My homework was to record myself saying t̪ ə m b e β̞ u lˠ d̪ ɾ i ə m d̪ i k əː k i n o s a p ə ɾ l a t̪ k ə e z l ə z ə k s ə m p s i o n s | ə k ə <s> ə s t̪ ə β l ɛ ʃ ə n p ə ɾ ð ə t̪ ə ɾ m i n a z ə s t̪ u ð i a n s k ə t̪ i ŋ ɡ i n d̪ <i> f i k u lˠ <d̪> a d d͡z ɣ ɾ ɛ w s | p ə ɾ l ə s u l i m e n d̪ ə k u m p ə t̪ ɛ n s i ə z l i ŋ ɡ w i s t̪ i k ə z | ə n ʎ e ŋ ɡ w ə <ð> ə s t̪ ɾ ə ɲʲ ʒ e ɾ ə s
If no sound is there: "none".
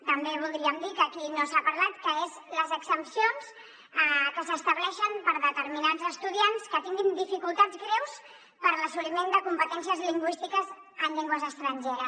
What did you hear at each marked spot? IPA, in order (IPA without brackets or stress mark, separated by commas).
s, i, t̪, z